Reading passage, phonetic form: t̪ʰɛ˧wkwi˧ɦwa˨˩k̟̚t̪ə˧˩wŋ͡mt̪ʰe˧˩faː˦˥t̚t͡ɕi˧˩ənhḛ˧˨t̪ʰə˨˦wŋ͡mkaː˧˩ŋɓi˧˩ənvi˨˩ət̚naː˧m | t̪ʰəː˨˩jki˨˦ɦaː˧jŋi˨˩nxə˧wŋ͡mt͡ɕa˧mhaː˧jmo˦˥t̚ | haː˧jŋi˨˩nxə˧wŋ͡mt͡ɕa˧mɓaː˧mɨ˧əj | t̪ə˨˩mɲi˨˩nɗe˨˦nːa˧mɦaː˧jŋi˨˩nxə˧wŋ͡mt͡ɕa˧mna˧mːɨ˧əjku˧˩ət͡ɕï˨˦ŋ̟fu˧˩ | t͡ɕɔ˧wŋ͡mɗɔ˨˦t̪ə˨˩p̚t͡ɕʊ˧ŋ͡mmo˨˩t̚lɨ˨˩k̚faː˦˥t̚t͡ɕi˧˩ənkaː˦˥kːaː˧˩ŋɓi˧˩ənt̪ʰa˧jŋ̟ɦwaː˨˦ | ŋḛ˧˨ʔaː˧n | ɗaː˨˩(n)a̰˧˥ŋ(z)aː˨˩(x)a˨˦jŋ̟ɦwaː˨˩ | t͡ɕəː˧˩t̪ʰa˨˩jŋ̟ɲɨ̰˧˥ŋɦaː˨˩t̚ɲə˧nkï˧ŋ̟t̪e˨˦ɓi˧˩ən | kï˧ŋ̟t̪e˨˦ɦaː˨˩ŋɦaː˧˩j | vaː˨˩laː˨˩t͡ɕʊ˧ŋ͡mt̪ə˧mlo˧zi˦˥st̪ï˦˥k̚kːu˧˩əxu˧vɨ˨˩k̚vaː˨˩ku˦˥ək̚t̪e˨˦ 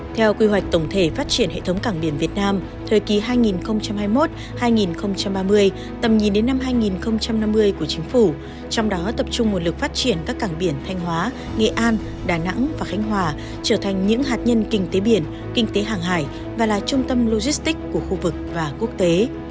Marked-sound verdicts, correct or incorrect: correct, incorrect: v, correct

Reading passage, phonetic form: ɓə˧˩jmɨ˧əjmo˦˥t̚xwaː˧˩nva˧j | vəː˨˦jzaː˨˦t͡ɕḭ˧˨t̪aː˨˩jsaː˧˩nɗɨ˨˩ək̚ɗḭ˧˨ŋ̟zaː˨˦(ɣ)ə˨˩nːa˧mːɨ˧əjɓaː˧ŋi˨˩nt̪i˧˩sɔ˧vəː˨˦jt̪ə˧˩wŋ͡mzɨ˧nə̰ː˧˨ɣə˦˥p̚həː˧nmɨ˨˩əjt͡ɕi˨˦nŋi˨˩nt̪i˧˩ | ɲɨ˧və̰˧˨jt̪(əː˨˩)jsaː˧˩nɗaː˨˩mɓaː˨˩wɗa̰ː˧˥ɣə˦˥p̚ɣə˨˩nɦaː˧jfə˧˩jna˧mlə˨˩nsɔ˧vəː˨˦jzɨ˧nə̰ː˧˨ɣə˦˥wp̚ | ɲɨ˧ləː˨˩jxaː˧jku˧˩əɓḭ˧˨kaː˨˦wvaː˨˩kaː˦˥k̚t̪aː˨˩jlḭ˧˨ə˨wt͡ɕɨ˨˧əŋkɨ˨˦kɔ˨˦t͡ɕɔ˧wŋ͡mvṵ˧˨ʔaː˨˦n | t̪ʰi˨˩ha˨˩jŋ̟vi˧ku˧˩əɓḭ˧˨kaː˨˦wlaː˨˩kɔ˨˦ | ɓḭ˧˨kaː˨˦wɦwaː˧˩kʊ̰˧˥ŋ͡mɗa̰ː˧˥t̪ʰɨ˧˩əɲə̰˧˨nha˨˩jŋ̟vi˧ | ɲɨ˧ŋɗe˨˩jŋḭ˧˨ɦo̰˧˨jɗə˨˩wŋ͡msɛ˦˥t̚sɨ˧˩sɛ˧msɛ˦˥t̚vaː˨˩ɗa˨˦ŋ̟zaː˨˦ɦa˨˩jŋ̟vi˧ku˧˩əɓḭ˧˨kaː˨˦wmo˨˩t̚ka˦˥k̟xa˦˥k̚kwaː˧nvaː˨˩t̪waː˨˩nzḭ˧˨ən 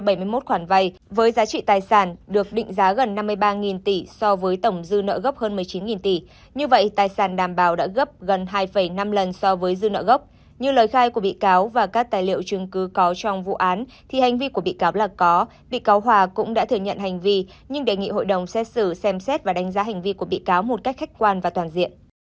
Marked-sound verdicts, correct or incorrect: correct, incorrect: aː˨˩

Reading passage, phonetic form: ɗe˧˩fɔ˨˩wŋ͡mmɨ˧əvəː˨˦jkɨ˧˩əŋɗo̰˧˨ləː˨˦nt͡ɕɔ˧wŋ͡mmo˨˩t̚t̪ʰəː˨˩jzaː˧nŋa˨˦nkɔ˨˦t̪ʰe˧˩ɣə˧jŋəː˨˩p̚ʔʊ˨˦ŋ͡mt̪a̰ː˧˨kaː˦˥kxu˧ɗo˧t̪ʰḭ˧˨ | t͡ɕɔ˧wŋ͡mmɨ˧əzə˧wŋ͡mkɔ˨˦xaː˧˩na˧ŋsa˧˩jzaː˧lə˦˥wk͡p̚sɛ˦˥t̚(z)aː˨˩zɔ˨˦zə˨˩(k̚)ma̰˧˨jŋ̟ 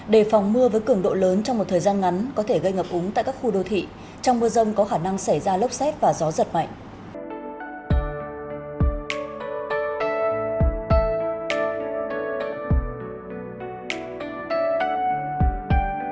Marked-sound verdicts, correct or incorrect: incorrect: v, incorrect: t̚

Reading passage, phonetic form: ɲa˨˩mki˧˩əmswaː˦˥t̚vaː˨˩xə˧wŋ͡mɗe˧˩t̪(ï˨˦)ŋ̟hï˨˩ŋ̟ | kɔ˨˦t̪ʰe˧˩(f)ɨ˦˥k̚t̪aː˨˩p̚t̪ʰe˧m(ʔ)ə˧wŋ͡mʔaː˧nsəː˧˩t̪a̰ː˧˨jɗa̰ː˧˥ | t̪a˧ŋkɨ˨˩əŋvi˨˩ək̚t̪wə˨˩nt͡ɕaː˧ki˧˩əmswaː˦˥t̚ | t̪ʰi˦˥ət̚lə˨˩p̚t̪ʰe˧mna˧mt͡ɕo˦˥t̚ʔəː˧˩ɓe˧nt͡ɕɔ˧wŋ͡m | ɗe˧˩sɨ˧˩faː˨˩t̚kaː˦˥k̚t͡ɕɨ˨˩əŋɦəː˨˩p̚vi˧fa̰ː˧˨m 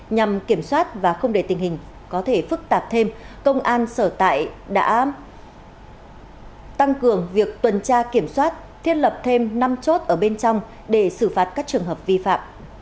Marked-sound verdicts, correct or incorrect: incorrect: ï˨˩, correct, incorrect: k

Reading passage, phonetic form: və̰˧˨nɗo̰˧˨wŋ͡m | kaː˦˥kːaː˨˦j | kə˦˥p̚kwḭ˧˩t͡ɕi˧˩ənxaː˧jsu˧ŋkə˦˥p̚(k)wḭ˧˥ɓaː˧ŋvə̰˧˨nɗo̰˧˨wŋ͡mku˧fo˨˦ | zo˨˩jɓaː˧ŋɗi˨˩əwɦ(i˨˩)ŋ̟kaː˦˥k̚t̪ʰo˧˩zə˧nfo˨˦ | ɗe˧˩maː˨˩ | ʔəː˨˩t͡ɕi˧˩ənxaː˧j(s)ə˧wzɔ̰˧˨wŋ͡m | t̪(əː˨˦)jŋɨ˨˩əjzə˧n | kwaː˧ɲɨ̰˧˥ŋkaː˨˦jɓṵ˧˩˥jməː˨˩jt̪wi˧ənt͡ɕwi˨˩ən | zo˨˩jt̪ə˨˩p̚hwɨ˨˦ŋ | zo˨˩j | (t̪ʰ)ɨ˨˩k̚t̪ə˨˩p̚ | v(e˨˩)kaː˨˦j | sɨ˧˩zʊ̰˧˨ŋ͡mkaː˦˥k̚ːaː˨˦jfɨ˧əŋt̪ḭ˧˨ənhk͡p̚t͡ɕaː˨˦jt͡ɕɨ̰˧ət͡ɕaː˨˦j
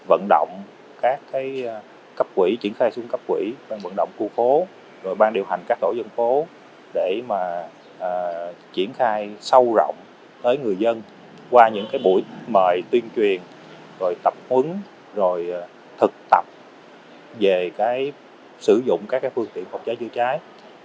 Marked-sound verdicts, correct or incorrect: correct, incorrect: a˨˩, correct, correct, correct, correct

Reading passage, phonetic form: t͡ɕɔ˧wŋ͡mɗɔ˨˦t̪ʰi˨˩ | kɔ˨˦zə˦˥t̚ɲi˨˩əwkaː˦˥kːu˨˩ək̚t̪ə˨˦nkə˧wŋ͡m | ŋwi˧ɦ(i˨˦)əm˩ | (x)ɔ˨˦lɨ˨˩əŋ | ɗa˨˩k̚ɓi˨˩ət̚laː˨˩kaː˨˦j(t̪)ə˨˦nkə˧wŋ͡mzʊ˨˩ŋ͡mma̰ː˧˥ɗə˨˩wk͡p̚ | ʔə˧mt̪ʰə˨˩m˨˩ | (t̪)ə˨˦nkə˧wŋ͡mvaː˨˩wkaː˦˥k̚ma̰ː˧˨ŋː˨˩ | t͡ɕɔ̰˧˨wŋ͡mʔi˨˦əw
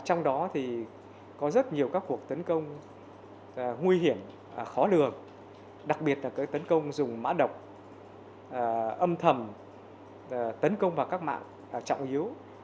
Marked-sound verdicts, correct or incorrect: incorrect: i˧˩, correct, correct, correct

